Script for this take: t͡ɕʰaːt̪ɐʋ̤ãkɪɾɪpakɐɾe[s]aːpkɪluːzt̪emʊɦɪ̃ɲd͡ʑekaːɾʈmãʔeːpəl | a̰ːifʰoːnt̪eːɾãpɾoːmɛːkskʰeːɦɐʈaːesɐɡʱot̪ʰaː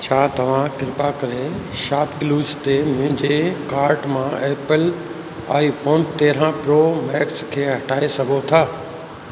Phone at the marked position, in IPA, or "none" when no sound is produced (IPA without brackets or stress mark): ʃ